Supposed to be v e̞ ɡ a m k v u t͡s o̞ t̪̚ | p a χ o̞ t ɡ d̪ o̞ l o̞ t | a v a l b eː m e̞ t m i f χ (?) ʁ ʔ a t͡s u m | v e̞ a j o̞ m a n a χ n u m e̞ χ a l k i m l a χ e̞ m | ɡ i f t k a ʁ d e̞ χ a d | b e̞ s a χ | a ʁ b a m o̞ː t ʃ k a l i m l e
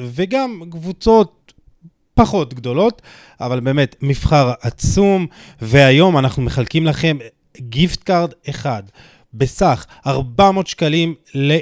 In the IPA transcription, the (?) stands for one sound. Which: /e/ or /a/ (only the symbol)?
a